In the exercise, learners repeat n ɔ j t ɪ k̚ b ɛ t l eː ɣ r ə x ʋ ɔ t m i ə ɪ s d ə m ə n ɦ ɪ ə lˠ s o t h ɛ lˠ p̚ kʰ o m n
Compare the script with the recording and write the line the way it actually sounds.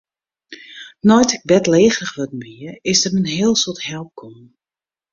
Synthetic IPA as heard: n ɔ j t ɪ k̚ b ɛ t l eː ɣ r ə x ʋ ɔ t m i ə ɪ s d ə m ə n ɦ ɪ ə lˠ s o t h ɛ lˠ p̚ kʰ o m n

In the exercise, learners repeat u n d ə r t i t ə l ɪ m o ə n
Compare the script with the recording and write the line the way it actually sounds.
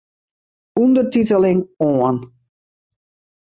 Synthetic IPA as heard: u n d ə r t i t ə l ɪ ŋ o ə n

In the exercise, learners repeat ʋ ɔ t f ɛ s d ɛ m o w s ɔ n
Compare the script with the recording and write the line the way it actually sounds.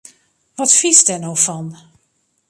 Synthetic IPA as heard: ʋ ɔ t f i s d ɛ n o w f ɔ n

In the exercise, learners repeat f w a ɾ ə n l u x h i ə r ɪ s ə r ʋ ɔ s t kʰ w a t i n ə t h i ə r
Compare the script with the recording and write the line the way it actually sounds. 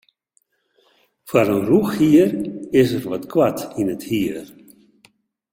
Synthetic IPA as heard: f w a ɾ ə n r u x h i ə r ɪ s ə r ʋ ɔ t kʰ w a t i n ə t h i ə r

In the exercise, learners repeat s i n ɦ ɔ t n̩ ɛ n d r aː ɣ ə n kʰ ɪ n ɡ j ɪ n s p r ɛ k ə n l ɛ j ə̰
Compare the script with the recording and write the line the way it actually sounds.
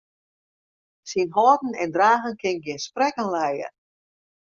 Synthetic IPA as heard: s i n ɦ ɔ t n̩ ɛ n d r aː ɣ ə n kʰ ɪ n ɡ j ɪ n s p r ɛ k ə n l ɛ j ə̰

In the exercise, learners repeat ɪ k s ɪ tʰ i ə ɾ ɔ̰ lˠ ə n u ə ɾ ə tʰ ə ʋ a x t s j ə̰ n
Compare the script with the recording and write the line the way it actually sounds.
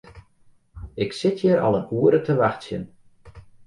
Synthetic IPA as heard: ɪ k s ɪ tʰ j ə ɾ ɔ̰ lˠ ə n u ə ɾ ə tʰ ə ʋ a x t s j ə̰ n

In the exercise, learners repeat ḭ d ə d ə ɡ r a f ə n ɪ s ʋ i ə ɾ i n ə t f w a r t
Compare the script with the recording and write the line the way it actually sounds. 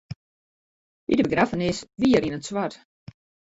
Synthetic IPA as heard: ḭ d ə b ə ɡ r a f ə n ɪ s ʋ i ə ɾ i n ə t s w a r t

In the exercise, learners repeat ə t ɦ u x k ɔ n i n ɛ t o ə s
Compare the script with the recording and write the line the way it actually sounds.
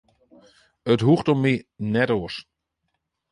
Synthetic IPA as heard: ə t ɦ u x t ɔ m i n ɛ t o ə s

